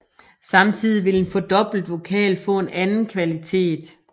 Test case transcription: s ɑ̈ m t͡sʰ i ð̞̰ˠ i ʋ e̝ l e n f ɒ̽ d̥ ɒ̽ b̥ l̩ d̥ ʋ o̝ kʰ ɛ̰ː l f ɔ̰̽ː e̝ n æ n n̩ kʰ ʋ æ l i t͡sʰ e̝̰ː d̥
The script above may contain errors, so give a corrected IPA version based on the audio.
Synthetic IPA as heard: s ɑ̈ m t͡sʰ i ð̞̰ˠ i ʋ e̝ l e n f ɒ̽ d̥ ɒ̽ b̥ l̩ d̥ ʋ o̝ kʰ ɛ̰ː l f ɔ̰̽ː e̝ n æ n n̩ kʰ ʋ æ l i t͡sʰ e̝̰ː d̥